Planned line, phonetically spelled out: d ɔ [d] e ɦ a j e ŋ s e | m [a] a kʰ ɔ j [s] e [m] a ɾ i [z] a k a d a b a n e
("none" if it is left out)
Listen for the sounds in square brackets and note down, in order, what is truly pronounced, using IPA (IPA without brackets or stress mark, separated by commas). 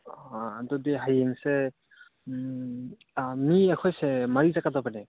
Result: d, i, s, m, z